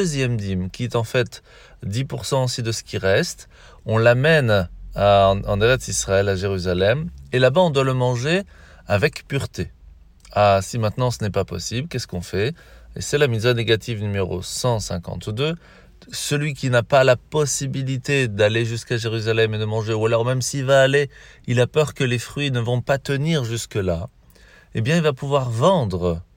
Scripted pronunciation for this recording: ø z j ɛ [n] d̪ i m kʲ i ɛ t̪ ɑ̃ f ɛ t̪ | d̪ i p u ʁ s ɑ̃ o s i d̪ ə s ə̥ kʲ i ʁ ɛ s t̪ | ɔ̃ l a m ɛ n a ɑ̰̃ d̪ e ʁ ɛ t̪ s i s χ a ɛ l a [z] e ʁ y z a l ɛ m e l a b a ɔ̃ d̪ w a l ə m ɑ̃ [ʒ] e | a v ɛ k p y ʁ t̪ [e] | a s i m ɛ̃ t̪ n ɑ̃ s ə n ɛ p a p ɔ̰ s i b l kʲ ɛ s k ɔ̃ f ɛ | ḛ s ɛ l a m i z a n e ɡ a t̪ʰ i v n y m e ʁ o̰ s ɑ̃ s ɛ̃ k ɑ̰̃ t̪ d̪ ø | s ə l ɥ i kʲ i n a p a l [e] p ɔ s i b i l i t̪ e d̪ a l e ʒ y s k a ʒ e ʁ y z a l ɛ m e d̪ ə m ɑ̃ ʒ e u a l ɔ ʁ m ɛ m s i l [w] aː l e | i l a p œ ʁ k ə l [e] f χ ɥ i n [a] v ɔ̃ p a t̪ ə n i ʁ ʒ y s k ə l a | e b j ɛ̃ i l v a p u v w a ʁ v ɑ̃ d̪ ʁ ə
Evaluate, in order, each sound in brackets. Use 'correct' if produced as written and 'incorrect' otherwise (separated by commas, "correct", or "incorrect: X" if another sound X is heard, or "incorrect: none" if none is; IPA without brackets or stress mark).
incorrect: m, incorrect: ʒ, correct, correct, incorrect: a, incorrect: v, correct, incorrect: ə